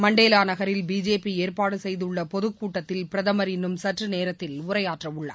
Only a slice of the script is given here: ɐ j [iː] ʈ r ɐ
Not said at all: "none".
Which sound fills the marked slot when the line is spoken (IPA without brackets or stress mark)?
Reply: aː